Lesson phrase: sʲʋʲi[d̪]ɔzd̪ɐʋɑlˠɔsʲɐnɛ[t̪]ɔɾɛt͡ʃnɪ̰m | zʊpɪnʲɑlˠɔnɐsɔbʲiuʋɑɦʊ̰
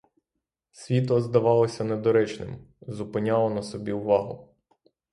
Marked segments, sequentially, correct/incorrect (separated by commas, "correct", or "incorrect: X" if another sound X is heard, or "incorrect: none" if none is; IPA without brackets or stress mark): incorrect: t̪, incorrect: d̪